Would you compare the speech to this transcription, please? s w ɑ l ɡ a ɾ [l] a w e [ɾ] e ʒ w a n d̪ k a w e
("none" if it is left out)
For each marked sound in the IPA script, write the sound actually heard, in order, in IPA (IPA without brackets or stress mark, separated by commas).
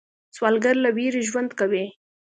l, ɾ